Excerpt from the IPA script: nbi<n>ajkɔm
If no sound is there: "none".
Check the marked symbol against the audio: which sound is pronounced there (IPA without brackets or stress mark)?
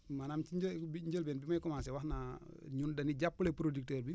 m